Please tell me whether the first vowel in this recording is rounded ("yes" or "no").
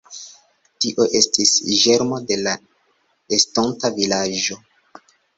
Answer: no